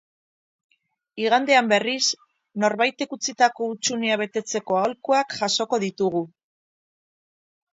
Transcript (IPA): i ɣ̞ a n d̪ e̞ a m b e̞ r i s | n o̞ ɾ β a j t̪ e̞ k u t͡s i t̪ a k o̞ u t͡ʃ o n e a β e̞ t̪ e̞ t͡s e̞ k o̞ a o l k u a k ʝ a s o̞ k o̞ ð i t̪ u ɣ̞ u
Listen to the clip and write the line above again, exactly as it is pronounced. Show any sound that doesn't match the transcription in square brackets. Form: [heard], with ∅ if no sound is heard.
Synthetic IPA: i ɣ̞ a n d̪ e̞ a m b e̞ r i s | n o̞ ɾ β a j t̪ e̞ k u t͡s i t̪ a k o̞ u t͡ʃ [u] n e a β e̞ t̪ e̞ t͡s e̞ k o̞ a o l k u a k ʝ a s o̞ k o̞ ð i t̪ u ɣ̞ u